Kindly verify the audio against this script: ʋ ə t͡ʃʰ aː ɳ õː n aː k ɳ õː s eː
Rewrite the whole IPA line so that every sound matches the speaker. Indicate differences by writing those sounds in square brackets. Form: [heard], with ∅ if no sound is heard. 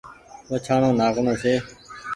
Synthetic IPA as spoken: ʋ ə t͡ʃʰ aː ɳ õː n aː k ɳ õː s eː